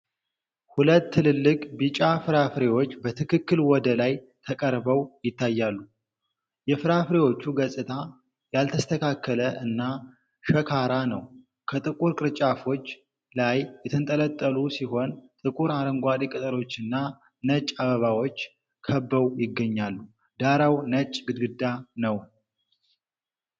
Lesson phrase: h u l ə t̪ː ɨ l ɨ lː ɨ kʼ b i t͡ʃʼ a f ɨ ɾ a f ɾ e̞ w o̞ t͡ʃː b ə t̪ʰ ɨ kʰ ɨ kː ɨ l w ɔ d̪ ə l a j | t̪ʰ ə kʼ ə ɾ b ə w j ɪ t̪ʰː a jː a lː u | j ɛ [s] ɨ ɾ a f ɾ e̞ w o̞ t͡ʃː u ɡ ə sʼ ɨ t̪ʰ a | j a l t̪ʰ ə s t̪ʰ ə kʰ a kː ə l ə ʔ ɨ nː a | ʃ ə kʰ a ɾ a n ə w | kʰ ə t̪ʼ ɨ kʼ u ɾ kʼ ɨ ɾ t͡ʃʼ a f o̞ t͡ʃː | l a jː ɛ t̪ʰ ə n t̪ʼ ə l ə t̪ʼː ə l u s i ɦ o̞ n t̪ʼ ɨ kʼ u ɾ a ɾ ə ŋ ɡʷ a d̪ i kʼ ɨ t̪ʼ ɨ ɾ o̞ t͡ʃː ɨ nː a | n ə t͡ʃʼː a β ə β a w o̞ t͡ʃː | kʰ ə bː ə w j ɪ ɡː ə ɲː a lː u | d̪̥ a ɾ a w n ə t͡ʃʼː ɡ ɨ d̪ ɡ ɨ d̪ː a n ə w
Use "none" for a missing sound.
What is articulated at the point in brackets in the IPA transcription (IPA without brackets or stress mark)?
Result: f